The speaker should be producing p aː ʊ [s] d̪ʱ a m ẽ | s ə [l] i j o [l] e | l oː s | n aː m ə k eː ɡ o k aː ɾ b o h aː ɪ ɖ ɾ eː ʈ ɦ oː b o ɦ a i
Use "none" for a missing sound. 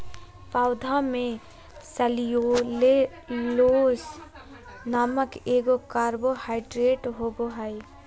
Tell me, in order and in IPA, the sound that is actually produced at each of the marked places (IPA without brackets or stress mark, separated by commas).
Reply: none, l, l